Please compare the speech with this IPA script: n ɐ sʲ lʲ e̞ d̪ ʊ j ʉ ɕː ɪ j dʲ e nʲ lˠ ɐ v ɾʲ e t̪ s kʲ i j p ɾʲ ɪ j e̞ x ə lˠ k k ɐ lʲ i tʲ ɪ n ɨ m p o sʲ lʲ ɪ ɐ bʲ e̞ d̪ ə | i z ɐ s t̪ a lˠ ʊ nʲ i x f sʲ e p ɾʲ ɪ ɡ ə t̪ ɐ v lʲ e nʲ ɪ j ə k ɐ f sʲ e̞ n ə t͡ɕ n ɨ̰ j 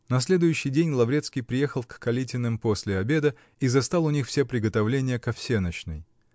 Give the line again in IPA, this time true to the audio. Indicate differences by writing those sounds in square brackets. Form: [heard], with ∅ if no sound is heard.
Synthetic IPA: n ɐ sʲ lʲ e̞ d̪ ʊ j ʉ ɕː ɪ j dʲ e nʲ lˠ ɐ v ɾʲ e t̪ s kʲ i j p ɾʲ ɪ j e̞ x ə lˠ k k ɐ lʲ i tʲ ɪ n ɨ m p o sʲ lʲ ɪ ɐ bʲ e̞ d̪ ə | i z ɐ s t̪ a lˠ ʊ nʲ i x f sʲ e p ɾʲ ɪ ɡ ə t̪ ɐ v lʲ e nʲ ɪ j ə k ɐ f sʲ e̞ n ə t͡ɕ n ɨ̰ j

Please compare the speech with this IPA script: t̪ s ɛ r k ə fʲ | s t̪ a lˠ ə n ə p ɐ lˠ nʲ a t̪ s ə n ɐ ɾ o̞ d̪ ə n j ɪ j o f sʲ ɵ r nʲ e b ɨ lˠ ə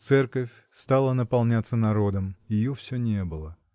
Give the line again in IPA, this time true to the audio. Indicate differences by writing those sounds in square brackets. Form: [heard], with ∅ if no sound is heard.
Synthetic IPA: t̪ s ɛ r k ə fʲ | s t̪ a lˠ ə n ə p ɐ lˠ nʲ a t̪ s ə n ɐ ɾ o̞ d̪ ə [m] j ɪ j o f sʲ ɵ [∅] nʲ e b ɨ lˠ ə

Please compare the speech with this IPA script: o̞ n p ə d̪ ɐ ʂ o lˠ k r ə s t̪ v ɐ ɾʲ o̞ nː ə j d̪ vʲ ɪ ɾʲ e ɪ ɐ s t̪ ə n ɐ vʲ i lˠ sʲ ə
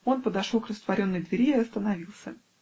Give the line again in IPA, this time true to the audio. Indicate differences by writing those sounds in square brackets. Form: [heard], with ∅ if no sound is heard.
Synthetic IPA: o̞ n p ə d̪ ɐ ʂ o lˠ k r ə s t̪ v ɐ ɾʲ o̞ nː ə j d̪ vʲ ɪ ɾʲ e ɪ ɐ s t̪ ə n ɐ vʲ i lˠ sʲ ə

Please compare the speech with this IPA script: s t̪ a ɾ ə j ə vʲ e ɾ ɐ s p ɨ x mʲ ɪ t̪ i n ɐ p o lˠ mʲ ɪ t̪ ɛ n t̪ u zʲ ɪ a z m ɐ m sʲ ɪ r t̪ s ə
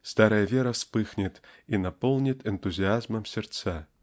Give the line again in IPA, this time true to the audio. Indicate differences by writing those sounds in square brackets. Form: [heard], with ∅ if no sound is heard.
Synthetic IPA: s t̪ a ɾ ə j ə vʲ e ɾ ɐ s p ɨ x [nʲ] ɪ t̪ i n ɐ p o lˠ [nʲ] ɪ t̪ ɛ n t̪ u zʲ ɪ a z m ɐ m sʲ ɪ r t̪ s [a]

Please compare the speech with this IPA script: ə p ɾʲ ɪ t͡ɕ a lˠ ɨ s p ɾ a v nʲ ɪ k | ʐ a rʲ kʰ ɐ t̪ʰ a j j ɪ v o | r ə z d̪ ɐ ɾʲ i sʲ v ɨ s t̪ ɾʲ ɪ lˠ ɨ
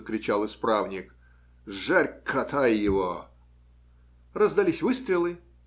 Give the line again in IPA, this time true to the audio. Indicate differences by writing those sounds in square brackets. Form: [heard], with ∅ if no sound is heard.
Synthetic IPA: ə [k] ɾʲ ɪ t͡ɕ a lˠ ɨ s p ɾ a v nʲ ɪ k | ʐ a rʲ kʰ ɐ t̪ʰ a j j ɪ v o | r ə z d̪ ɐ [lʲ] i sʲ v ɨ s t̪ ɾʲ ɪ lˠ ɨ

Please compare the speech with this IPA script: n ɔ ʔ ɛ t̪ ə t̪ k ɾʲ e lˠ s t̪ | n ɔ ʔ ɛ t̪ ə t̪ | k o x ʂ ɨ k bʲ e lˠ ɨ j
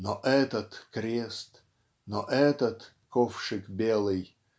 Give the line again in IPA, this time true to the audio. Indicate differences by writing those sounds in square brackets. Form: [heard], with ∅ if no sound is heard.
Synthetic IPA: n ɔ ʔ ɛ t̪ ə t̪ k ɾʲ e [∅] s t̪ | n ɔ ʔ ɛ t̪ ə t̪ | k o [f] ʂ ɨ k bʲ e lˠ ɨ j

